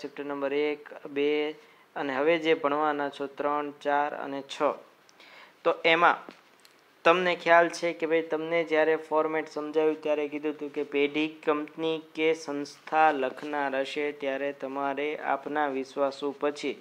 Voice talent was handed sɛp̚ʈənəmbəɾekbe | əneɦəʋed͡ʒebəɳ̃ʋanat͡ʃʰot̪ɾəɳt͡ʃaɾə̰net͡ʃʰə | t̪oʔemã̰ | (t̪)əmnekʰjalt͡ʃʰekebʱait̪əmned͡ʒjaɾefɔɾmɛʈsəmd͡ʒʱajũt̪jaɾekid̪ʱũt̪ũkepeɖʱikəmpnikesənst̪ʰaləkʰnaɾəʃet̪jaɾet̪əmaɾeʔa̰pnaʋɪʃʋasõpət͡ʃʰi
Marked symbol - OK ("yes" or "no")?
yes